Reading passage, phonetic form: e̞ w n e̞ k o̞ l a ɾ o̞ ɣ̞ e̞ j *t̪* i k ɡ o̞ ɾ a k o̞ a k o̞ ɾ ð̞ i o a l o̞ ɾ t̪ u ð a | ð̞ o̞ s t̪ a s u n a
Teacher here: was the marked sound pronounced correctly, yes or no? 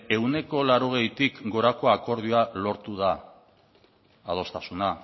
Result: yes